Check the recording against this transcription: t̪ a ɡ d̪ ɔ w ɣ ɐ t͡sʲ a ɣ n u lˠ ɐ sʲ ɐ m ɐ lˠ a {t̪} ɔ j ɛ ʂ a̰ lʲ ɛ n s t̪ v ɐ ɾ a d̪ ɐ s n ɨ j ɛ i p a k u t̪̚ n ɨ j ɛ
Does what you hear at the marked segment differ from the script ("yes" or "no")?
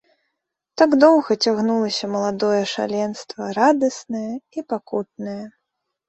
yes